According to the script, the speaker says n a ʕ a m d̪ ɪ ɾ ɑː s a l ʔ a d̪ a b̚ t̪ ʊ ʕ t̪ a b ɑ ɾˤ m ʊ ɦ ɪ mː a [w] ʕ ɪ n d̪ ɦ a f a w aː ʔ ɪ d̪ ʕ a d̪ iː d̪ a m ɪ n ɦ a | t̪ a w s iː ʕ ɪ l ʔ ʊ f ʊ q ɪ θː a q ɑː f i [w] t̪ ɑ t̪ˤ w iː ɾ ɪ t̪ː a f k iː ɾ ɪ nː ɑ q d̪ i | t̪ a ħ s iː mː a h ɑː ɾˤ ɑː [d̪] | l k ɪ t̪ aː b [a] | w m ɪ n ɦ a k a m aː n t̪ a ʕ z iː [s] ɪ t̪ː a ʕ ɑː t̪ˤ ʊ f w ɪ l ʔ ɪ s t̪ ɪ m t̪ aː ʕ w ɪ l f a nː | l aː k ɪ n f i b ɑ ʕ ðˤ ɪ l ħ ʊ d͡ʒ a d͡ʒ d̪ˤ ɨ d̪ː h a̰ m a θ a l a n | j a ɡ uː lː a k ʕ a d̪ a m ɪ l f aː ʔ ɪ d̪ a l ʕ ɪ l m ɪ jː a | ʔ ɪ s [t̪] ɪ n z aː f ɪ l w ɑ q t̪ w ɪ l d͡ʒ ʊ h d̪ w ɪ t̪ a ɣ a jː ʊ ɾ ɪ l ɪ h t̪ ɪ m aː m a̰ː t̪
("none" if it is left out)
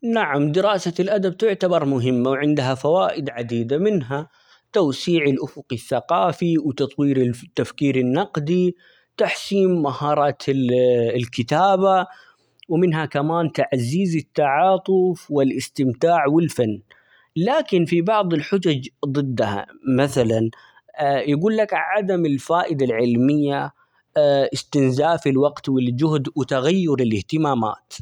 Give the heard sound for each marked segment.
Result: w, w, t̪, a, z, t̪

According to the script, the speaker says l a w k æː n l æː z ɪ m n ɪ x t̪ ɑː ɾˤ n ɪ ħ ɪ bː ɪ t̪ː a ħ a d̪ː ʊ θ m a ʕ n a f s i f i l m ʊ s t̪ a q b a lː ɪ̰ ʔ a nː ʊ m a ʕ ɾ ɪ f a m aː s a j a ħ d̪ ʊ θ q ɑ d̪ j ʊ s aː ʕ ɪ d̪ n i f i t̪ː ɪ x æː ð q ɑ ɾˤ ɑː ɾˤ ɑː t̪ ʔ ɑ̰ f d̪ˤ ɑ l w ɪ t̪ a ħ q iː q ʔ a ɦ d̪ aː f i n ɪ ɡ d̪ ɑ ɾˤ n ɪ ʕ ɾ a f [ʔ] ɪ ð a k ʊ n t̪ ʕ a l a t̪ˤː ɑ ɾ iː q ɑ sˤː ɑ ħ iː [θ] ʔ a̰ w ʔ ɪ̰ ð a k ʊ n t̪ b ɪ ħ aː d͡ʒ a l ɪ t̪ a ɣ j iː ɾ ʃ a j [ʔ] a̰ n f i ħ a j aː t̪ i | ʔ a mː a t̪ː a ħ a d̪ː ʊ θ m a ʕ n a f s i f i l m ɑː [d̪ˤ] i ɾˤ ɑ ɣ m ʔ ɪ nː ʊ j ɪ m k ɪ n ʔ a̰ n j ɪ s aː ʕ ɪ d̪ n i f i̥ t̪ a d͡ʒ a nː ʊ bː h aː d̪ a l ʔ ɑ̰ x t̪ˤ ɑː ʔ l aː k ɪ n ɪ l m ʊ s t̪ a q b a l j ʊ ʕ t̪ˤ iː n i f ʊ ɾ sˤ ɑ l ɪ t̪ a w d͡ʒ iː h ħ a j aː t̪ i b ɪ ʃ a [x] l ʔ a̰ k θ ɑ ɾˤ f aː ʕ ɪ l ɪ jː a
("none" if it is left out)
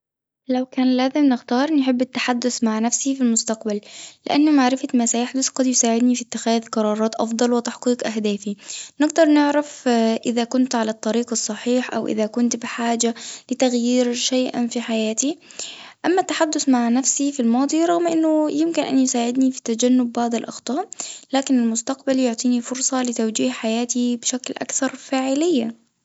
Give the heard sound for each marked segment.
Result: ʔ, ħ, ʔ, d̪ˤ, k

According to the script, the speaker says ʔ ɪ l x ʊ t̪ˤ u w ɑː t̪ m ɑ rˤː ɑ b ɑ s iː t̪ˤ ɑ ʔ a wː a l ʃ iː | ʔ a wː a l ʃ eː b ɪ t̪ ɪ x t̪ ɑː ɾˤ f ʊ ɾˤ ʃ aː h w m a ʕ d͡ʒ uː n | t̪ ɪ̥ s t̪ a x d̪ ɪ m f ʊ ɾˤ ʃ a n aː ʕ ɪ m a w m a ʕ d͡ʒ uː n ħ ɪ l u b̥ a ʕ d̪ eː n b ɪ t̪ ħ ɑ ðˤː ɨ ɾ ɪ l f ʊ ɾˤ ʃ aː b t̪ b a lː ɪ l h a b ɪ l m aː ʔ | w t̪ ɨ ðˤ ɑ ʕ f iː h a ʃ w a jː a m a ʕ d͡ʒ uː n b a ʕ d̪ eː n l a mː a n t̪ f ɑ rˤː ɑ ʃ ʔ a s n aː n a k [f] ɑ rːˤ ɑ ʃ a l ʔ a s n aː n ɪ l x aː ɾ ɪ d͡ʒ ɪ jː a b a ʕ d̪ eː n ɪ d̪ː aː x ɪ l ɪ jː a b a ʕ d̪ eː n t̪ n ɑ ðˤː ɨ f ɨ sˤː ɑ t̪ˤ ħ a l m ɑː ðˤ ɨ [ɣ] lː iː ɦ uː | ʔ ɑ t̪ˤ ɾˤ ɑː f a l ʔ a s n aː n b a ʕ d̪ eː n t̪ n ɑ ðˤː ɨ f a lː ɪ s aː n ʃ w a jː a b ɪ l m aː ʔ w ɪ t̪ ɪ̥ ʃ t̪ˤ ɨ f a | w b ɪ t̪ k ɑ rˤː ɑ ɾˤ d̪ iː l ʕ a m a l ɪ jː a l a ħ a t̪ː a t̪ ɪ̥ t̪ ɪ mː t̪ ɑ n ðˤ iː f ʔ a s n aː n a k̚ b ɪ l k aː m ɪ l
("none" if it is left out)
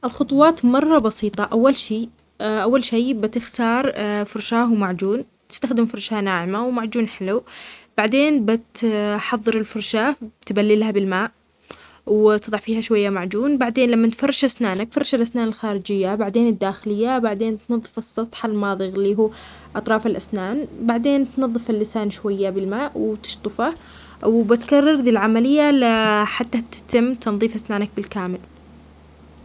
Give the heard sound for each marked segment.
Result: f, ɣ

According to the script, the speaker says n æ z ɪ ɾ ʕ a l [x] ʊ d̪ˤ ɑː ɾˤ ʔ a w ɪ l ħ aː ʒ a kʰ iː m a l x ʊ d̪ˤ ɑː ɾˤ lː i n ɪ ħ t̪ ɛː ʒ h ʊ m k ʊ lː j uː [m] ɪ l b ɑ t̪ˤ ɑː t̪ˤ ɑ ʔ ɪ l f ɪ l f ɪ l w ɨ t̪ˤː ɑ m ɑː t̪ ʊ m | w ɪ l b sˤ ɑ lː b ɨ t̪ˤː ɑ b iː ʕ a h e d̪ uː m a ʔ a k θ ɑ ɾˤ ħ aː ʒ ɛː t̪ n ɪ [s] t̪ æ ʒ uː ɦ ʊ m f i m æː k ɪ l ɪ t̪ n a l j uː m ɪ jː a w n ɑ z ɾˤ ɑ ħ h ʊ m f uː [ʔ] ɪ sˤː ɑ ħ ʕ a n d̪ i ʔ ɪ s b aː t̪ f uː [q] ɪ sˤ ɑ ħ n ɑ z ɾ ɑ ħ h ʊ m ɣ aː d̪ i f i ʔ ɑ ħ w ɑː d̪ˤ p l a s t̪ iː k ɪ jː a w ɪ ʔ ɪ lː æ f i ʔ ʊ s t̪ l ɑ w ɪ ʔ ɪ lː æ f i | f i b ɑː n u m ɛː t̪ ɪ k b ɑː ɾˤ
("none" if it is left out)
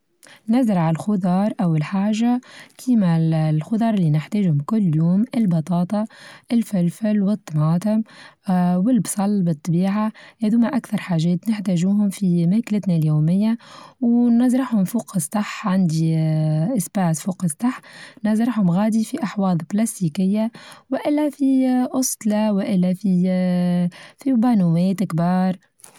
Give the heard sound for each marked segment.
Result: x, m, ħ, q, q

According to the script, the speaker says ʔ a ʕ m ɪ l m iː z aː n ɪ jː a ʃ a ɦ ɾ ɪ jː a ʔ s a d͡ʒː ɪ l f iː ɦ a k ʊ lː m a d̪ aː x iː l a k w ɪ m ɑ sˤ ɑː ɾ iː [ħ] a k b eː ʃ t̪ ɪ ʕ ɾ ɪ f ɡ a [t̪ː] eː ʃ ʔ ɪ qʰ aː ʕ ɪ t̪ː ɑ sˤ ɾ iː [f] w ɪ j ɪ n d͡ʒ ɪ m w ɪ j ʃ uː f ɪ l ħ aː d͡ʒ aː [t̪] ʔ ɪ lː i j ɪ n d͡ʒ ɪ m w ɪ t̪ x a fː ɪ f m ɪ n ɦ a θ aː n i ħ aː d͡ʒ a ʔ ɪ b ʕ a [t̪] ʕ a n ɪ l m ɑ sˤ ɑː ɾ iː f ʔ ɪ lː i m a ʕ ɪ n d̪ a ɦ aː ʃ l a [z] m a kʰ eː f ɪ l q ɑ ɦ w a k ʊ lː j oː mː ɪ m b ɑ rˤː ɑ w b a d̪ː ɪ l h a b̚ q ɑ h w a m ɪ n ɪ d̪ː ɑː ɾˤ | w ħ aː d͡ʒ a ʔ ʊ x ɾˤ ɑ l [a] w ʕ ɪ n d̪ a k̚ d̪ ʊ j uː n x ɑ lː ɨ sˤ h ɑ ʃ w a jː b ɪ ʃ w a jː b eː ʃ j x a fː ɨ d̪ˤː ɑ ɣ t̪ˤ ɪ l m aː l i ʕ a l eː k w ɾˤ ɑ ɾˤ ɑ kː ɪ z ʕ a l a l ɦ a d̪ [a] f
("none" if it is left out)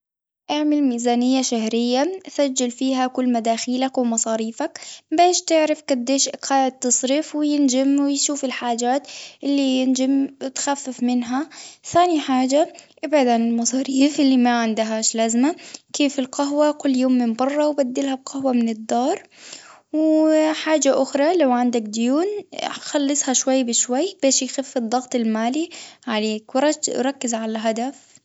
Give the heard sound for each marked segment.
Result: f, d̪ː, f, t̪, d̪, z, a, a

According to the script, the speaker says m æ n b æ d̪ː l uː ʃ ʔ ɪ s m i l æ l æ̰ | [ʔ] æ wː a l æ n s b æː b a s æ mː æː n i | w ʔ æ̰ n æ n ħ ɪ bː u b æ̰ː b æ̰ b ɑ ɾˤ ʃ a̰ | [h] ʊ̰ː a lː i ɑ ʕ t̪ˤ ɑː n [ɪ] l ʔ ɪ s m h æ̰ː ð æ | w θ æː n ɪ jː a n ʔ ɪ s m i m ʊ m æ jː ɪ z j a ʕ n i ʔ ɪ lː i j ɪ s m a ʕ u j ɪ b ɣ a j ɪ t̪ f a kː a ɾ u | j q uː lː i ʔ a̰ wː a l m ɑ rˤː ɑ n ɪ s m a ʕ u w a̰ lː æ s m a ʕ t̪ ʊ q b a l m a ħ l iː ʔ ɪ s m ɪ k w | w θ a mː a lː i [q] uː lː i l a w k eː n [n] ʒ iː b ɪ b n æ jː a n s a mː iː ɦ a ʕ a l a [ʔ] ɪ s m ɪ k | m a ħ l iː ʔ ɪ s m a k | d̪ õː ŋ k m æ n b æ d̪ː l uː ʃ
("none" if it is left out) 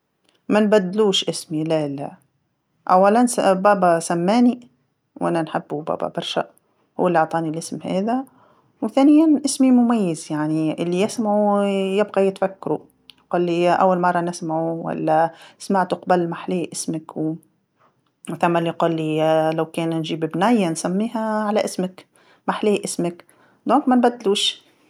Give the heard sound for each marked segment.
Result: ʔ, h, i, q, n, ʔ

